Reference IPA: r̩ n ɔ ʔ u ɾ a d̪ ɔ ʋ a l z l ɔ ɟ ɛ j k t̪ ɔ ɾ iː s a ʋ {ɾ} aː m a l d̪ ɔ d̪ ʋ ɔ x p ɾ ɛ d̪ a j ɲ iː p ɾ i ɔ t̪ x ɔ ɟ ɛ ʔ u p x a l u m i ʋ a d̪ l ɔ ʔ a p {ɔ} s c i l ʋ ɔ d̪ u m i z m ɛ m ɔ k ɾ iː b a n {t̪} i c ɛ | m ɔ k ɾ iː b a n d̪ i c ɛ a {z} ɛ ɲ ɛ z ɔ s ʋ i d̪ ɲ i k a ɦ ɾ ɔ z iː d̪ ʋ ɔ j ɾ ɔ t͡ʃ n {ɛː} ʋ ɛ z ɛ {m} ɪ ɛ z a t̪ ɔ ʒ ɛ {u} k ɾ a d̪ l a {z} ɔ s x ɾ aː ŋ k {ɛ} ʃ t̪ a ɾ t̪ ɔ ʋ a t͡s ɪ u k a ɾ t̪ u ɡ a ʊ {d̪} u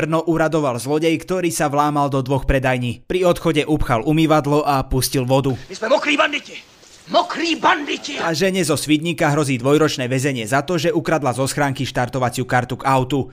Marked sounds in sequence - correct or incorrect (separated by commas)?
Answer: incorrect, incorrect, incorrect, incorrect, correct, incorrect, correct, correct, incorrect, incorrect